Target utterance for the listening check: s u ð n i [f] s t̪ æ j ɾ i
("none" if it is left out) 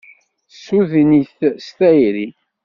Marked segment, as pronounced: θ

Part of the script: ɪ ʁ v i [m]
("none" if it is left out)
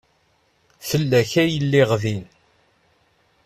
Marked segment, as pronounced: n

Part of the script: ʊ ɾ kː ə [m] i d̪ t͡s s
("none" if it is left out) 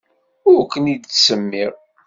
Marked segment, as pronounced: n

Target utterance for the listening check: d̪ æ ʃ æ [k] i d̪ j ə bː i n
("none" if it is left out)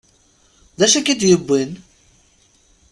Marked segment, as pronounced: k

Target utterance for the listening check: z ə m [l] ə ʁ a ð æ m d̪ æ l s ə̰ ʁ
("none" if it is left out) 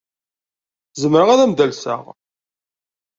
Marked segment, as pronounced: ɾ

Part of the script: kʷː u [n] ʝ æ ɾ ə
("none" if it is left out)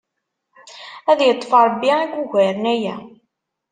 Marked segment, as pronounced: none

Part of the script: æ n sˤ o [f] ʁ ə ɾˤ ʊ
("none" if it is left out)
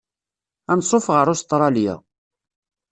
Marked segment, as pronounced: f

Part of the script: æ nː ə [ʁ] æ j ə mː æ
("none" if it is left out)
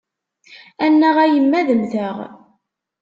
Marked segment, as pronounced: ʁ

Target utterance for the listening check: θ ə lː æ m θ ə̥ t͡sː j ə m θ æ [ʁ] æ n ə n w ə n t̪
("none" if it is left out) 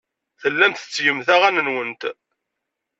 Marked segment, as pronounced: ʁ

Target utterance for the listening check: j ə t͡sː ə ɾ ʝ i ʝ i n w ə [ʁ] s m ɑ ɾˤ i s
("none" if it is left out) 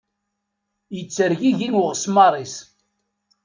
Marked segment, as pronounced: ʁ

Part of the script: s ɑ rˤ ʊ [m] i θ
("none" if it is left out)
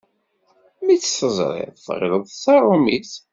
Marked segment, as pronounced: m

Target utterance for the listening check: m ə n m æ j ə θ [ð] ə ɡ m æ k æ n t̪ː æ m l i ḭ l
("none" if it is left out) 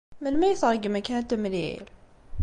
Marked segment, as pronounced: ʁ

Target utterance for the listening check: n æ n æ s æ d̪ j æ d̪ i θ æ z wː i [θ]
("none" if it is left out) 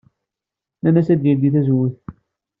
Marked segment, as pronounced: θ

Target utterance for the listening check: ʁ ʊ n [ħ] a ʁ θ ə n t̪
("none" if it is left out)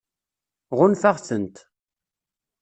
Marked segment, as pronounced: f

